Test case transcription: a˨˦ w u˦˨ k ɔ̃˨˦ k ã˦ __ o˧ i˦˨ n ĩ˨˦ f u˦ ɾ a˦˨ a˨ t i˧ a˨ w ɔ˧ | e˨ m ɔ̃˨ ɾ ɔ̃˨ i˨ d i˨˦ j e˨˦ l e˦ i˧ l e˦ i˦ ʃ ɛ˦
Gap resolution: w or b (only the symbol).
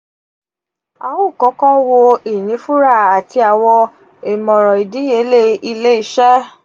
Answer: w